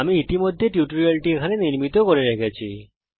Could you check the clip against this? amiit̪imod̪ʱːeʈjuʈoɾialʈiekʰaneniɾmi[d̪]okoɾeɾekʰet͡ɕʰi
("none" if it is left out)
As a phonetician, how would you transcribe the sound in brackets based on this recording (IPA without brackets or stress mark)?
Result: t̪